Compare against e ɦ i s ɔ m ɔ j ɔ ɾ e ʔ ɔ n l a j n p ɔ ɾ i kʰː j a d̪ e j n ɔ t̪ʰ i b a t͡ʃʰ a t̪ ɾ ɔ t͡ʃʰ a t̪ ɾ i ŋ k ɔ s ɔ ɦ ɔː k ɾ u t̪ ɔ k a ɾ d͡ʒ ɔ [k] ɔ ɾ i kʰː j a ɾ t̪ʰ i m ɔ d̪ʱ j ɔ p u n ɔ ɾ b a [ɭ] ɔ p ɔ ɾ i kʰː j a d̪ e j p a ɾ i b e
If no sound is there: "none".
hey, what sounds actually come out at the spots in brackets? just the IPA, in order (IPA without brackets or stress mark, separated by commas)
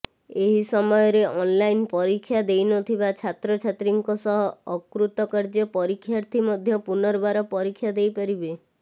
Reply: p, ɾ